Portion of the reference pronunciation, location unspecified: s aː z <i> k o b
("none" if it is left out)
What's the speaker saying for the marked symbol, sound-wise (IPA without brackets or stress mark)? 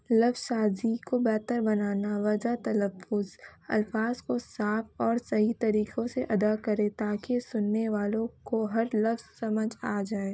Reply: i